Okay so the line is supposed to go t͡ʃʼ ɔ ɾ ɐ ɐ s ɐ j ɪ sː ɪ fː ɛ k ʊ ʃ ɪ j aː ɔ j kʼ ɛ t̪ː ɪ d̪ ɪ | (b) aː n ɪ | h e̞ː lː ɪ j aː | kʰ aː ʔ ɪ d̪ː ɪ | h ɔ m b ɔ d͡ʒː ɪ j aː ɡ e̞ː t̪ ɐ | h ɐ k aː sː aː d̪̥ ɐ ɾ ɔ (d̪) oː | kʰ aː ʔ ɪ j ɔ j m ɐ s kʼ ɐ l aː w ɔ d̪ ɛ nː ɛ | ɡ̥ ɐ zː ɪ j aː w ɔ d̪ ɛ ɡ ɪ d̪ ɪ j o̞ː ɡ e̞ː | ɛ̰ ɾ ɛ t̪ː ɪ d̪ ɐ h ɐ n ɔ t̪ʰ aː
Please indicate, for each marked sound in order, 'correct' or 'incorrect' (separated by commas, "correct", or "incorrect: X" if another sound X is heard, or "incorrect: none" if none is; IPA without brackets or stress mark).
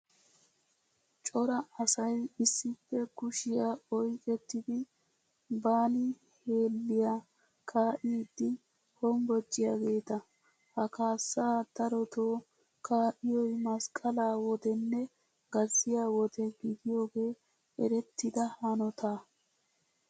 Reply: correct, incorrect: t̪